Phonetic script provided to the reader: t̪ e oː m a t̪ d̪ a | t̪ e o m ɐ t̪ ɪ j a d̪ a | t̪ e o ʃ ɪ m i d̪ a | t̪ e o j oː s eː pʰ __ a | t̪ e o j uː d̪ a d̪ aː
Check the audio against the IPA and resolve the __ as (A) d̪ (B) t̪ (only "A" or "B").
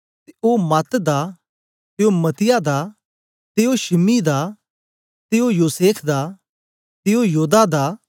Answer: A